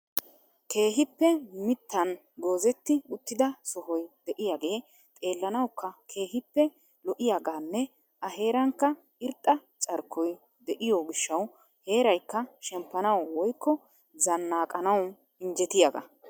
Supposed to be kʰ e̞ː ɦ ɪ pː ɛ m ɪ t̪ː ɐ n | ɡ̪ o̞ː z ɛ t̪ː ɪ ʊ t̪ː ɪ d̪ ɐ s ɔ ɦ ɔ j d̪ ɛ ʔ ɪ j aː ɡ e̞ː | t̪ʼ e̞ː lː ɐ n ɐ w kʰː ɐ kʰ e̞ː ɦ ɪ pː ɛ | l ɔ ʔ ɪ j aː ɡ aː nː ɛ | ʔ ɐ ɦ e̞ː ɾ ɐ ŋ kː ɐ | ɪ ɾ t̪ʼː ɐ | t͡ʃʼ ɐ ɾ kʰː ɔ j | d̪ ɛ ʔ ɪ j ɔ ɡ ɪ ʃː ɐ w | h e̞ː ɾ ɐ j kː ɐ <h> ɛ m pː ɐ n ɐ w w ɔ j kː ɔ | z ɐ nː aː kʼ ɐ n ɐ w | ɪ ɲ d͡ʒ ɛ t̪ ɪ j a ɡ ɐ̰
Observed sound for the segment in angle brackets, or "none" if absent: ʃ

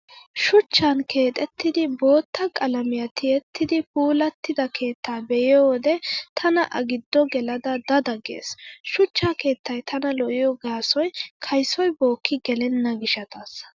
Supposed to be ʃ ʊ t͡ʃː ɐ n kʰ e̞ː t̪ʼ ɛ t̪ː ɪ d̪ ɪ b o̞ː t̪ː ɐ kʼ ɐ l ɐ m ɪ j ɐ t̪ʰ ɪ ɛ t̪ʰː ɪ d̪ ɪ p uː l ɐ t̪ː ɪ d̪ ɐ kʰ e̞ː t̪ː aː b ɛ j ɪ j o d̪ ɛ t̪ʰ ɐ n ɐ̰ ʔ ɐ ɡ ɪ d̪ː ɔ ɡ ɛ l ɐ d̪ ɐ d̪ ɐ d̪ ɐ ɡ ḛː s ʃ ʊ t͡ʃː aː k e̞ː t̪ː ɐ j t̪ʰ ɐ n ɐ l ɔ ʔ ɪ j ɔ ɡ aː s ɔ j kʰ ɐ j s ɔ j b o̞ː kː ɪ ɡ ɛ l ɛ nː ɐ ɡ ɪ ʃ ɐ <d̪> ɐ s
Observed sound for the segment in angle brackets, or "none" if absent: t̪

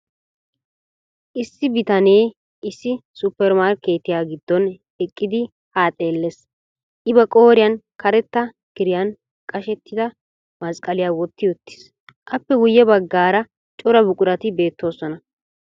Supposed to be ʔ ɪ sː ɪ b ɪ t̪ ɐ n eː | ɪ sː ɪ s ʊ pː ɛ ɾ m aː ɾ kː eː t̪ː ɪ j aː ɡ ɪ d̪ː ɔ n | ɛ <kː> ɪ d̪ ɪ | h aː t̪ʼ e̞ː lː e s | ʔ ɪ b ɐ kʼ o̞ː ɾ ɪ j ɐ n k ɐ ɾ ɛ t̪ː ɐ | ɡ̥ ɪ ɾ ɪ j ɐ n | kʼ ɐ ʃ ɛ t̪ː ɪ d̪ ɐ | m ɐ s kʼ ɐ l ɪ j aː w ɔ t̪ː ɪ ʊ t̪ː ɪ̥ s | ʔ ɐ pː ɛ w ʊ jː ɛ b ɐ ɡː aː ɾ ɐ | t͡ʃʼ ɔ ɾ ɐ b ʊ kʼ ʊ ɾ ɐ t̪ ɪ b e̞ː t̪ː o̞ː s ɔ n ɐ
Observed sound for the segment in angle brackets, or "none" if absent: kʼː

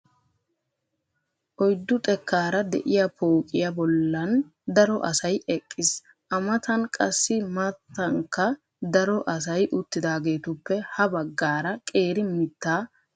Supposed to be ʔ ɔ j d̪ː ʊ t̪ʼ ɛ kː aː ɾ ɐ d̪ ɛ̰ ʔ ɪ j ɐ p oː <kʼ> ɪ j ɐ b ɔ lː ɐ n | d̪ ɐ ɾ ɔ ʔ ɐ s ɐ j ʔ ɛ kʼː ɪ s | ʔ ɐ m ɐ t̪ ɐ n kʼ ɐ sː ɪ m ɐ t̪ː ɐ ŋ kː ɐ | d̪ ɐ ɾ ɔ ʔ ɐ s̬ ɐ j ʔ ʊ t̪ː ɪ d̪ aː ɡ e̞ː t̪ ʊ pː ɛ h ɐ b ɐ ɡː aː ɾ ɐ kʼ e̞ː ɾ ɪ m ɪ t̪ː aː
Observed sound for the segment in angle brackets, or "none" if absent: kʼ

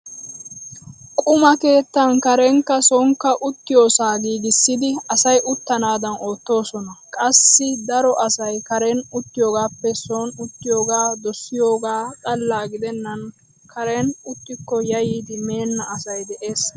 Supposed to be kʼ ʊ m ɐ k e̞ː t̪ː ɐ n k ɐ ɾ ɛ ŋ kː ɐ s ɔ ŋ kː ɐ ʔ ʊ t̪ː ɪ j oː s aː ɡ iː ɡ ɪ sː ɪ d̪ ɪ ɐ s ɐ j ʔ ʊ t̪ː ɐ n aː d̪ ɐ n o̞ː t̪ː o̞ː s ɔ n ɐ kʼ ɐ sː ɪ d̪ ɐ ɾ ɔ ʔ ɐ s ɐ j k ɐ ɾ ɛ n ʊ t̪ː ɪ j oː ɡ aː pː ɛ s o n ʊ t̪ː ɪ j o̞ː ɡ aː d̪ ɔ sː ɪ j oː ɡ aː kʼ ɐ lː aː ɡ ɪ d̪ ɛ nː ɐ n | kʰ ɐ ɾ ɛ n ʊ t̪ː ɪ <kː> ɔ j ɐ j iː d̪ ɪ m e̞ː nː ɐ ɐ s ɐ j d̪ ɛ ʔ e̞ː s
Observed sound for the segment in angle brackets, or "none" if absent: kː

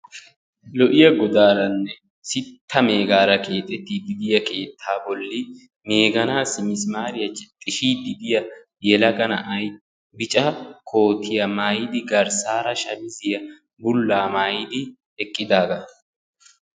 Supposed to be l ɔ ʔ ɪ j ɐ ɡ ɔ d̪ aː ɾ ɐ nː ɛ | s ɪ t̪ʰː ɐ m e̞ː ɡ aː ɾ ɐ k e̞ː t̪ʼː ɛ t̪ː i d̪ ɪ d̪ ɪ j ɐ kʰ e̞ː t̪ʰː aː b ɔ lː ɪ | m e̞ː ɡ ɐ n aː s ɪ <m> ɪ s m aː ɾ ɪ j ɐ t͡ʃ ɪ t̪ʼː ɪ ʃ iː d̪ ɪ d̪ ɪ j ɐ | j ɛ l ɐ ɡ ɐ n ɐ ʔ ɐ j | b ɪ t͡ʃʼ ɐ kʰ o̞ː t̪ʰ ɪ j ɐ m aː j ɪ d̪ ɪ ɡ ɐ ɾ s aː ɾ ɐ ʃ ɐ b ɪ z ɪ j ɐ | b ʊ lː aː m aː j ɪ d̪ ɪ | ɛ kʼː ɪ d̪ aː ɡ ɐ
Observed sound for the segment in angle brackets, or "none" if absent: m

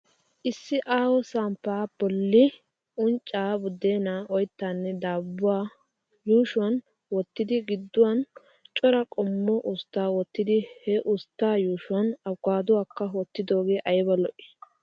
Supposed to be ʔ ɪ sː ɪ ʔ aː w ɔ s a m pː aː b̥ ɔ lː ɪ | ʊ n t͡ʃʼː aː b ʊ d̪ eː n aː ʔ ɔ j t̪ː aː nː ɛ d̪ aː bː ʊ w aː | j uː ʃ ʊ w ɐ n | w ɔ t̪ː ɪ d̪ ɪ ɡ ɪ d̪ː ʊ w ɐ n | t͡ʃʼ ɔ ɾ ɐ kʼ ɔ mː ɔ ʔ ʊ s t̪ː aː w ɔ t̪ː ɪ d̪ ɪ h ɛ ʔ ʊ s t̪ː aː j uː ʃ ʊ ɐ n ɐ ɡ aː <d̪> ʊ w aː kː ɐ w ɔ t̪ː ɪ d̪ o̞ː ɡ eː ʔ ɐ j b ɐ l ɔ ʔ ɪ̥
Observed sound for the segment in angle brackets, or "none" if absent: d̪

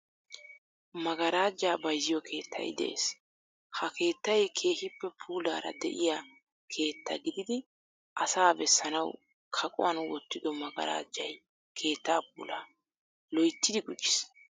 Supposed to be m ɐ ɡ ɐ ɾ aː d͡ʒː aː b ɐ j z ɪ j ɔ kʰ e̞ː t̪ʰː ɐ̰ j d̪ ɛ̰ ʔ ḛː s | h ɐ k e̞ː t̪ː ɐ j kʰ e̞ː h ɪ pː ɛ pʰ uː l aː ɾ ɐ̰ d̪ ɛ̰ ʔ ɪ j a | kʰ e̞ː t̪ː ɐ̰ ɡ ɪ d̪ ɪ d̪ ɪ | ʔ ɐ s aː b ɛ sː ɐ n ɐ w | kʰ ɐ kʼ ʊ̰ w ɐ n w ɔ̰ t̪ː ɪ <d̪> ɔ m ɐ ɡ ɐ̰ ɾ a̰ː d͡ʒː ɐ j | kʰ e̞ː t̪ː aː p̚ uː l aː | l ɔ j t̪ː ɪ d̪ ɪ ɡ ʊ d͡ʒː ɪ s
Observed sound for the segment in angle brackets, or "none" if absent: d̪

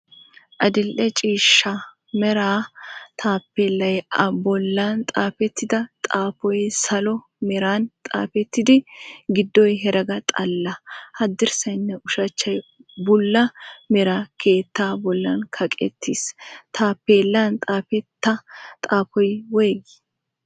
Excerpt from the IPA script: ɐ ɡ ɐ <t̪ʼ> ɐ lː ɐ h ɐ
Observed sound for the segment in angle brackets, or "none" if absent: t̪ʼ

